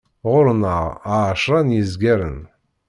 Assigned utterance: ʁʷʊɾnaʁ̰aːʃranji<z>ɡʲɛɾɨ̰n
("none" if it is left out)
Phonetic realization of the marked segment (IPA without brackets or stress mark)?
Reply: z